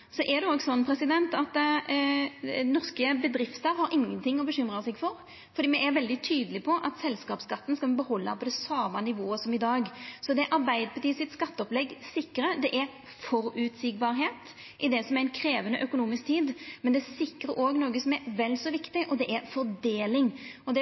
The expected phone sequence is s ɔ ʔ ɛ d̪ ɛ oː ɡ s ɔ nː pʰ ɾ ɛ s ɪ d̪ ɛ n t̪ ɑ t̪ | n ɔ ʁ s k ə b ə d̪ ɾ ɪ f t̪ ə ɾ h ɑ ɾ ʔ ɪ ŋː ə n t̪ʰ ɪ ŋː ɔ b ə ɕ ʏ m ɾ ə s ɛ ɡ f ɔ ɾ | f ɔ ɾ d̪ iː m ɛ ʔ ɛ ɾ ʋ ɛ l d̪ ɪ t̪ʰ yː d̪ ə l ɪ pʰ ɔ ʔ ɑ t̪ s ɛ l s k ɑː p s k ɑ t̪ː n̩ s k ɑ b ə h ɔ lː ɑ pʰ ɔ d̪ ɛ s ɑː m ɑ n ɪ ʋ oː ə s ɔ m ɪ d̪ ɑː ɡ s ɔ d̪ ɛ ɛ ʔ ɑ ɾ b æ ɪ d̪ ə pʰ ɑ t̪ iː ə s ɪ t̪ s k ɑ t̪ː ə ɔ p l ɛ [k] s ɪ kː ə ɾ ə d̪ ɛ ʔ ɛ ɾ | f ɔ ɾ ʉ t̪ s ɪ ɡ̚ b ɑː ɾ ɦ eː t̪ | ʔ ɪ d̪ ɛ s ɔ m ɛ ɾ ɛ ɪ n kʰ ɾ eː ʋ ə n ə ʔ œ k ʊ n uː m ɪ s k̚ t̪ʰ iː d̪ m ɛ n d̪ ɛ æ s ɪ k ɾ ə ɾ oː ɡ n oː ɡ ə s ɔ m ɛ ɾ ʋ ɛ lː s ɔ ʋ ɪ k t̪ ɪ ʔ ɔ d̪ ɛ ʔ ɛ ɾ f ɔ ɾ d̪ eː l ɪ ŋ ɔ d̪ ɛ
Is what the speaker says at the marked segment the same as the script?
no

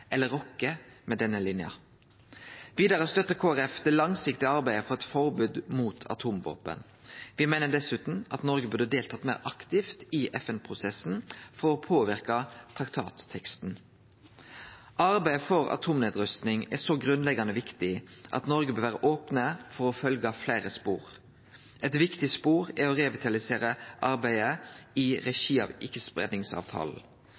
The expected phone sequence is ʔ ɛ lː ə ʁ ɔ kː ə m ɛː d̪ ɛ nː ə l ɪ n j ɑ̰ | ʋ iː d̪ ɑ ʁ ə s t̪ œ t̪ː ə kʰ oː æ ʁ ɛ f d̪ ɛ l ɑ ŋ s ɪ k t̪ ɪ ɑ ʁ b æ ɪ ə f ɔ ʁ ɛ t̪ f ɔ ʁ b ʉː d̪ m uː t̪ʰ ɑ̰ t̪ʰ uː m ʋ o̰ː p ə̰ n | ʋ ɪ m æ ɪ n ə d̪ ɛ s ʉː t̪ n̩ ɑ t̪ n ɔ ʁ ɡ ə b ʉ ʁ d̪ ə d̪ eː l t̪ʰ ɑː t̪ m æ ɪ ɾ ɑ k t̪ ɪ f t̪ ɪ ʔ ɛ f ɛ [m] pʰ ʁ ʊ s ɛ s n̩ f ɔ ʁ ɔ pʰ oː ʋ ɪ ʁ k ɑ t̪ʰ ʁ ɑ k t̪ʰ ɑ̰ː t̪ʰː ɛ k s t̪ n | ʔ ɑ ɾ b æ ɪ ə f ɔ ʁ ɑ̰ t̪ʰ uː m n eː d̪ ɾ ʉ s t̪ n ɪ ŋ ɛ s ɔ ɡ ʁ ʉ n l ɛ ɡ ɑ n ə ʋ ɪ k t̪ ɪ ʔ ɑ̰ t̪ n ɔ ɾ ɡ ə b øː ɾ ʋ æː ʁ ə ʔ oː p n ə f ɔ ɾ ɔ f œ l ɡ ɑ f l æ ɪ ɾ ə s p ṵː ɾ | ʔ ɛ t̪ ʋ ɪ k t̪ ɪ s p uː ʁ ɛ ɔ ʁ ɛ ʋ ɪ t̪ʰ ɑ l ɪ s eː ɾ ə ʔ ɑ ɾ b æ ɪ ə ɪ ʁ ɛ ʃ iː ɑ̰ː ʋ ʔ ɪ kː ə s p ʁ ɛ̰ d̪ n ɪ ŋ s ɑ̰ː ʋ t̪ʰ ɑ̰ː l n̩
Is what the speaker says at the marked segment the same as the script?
no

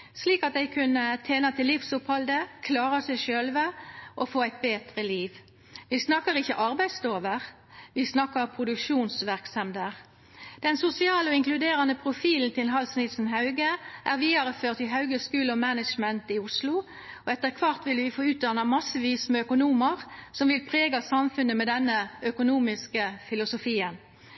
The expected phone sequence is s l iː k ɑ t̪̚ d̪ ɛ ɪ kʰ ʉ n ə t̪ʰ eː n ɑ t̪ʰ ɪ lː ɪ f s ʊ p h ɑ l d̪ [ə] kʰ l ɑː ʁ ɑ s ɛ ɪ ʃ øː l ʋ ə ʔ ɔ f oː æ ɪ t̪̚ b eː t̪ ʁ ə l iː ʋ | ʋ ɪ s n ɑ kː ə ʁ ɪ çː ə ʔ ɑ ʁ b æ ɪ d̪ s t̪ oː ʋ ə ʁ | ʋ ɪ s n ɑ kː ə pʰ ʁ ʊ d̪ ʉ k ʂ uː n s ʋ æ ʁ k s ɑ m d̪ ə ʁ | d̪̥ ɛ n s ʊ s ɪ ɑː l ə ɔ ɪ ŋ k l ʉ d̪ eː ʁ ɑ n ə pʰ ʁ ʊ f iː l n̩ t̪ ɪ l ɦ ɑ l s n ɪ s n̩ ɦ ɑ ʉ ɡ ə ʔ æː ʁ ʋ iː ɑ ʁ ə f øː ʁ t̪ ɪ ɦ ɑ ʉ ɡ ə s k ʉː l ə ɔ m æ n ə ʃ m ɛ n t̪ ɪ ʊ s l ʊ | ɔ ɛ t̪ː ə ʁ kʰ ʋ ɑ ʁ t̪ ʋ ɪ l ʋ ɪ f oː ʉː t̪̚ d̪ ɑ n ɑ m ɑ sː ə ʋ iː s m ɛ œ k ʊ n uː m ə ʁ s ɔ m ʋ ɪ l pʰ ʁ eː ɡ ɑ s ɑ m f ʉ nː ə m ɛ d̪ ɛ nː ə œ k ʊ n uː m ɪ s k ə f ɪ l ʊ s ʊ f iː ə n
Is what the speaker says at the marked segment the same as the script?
yes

